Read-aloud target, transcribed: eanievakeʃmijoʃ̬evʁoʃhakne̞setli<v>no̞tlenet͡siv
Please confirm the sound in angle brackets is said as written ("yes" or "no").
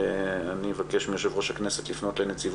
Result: no